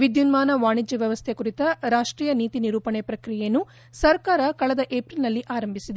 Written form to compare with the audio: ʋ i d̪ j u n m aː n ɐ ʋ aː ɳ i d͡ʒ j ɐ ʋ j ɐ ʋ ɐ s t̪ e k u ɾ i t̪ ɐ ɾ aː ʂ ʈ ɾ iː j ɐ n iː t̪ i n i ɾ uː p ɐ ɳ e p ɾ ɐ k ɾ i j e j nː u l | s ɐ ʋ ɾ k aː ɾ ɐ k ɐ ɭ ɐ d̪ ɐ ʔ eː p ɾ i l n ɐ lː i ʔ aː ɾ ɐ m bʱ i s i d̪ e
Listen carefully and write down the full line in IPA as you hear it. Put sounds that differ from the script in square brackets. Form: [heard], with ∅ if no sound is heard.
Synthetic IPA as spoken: ʋ i d̪ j u n m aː n ɐ ʋ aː ɳ i d͡ʒ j ɐ ʋ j ɐ ʋ ɐ s [t̪ʰ] e k u ɾ i t̪ ɐ ɾ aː ʂ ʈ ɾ iː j ɐ n iː t̪ i n i ɾ uː p ɐ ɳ e p ɾ ɐ k ɾ i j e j nː u [∅] | s ɐ [∅] ɾ k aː ɾ ɐ k ɐ ɭ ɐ d̪ ɐ ʔ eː p ɾ i l n ɐ lː i ʔ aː ɾ ɐ m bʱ i s i d̪ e